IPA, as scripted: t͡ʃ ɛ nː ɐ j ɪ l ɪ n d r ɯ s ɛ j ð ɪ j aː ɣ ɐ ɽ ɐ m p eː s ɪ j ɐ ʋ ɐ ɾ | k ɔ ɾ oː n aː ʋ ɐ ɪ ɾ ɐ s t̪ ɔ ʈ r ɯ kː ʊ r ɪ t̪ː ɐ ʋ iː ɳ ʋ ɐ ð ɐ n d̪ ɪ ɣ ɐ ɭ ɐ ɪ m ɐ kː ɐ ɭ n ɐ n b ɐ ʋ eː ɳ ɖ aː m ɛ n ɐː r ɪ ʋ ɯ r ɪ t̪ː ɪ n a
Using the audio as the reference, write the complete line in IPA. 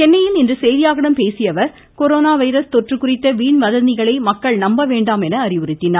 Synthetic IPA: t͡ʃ ɛ nː ɐ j ɪ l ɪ n d r ɯ s ɛ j ð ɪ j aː ɣ ɐ ɽ ɐ m p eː s ɪ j ɐ ʋ ɐ ɾ | k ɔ ɾ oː n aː ʋ ɐ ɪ ɾ ɐ s t̪ ɔ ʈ r ɯ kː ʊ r ɪ t̪ː ɐ ʋ iː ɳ ʋ ɐ ð ɐ n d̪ ɪ ɣ ɐ ɭ ɐ ɪ m ɐ kː ɐ ɭ n ɐ m b ɐ ʋ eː ɳ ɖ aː m ɛ n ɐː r ɪ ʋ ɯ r ɪ t̪ː ɪ n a